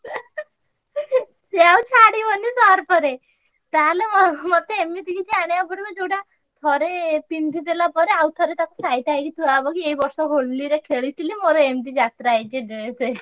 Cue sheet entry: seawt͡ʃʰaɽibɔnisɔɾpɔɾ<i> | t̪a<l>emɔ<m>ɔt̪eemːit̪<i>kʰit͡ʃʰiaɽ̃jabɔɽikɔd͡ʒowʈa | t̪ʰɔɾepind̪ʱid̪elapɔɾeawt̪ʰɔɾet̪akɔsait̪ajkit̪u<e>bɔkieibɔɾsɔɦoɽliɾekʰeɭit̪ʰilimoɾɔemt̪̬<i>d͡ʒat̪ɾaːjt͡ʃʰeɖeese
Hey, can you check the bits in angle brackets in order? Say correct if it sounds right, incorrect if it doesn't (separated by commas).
incorrect, correct, correct, correct, incorrect, correct